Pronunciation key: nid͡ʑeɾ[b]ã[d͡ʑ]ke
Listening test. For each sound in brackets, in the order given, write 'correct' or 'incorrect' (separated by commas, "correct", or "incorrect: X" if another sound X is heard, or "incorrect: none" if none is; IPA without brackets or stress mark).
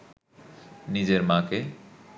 incorrect: m, incorrect: none